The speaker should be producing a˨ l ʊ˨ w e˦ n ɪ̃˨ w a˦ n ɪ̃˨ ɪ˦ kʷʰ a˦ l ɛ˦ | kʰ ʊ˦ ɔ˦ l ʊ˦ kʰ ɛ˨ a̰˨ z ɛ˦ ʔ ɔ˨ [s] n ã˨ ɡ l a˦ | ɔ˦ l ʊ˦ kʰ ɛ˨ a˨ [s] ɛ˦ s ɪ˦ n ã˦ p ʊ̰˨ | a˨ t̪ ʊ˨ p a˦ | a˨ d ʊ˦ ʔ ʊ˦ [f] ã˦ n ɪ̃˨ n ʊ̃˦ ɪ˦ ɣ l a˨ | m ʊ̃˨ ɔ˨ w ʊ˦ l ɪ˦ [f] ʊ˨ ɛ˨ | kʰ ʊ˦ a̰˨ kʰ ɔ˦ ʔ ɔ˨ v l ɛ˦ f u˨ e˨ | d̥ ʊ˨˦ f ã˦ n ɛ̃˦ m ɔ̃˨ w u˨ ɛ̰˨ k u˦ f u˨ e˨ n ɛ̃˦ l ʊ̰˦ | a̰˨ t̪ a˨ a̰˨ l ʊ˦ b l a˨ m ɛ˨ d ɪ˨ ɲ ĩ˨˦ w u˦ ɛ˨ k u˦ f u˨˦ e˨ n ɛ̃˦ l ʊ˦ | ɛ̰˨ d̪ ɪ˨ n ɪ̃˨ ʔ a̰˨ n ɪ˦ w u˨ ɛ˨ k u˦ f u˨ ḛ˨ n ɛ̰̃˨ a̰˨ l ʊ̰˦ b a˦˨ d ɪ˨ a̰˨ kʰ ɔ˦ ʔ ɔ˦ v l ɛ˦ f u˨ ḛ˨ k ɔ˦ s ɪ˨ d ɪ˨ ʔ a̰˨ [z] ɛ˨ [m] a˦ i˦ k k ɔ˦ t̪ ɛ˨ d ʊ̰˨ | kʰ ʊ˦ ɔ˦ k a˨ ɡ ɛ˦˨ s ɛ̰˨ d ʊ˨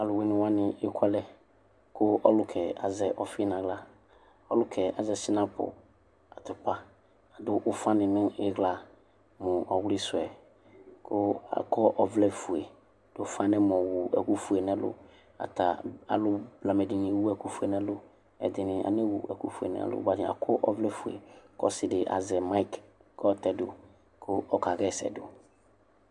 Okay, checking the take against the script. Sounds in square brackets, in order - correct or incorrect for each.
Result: incorrect: f, incorrect: z, correct, incorrect: s, correct, correct

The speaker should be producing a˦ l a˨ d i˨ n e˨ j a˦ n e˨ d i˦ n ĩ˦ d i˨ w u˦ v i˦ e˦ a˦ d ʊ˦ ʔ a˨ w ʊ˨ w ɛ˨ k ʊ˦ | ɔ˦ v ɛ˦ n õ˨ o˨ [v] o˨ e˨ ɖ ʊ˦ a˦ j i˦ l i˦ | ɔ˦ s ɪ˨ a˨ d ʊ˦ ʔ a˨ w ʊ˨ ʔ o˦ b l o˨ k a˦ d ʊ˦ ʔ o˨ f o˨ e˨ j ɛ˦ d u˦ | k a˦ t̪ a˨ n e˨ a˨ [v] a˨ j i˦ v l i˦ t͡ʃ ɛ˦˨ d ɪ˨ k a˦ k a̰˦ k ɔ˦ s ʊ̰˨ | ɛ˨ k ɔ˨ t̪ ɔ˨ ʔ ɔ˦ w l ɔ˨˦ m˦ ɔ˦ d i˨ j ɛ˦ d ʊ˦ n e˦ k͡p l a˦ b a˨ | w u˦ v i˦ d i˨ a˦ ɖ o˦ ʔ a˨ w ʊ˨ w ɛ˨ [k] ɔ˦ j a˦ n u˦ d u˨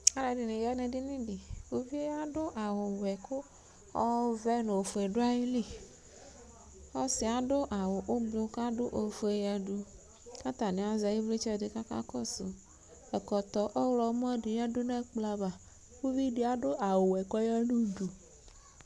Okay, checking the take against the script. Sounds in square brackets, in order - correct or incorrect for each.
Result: incorrect: f, incorrect: z, correct

